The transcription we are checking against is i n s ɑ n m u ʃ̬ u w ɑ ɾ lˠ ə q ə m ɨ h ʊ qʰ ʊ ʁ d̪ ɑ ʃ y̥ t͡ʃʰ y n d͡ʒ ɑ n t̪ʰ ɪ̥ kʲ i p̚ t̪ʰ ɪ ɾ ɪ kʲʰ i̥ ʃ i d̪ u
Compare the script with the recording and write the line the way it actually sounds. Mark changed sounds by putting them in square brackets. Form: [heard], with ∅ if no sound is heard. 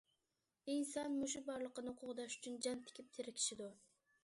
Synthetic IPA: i n s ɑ n m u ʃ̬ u [b] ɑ ɾ lˠ ə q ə [n] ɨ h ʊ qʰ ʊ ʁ d̪ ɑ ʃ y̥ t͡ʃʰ y n d͡ʒ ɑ n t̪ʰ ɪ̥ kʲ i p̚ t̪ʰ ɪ ɾ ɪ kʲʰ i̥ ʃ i d̪ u